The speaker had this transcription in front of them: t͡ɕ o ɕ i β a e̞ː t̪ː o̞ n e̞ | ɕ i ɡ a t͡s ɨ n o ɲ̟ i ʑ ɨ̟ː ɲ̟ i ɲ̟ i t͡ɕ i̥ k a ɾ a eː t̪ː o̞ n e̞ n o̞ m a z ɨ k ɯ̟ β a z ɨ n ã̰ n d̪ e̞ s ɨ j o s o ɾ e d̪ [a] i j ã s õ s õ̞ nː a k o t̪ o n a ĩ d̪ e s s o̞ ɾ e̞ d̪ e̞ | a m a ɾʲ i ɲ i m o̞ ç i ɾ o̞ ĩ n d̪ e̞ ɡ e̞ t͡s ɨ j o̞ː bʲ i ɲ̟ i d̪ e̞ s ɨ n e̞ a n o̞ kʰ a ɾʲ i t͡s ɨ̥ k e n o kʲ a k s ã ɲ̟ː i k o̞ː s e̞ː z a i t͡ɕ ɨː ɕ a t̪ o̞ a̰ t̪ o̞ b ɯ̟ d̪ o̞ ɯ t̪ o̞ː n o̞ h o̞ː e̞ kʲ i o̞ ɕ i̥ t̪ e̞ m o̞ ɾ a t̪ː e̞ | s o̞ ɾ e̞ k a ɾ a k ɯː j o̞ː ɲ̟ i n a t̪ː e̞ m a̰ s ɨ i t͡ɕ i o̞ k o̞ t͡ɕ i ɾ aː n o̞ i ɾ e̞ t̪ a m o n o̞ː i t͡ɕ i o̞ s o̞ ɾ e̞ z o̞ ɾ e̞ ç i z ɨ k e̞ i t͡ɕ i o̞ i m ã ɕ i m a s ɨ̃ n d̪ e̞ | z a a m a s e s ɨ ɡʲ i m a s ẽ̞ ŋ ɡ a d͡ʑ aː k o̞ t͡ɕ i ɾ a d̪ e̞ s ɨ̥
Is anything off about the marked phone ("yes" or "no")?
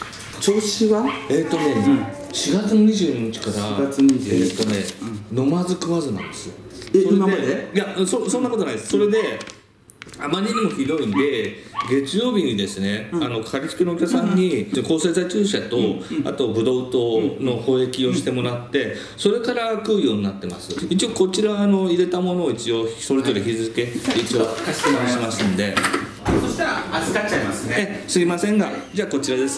yes